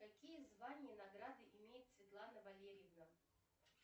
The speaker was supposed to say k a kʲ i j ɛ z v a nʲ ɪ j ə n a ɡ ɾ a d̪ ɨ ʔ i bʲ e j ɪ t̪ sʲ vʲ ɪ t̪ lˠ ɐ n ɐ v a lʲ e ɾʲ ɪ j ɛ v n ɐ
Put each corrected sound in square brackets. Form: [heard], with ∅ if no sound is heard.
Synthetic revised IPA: k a kʲ i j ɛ z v a nʲ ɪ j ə n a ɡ ɾ a d̪ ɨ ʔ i [mʲ] e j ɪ t̪ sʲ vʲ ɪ t̪ lˠ [a] n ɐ v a lʲ e ɾʲ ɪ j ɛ v n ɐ